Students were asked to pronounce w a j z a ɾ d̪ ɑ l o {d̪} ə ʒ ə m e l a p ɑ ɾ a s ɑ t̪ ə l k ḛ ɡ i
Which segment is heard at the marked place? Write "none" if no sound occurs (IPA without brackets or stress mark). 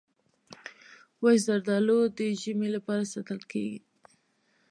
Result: d̪